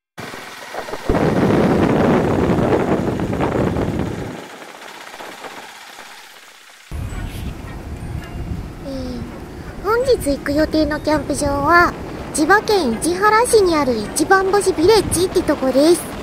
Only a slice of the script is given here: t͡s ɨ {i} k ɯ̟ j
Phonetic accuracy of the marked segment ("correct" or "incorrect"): correct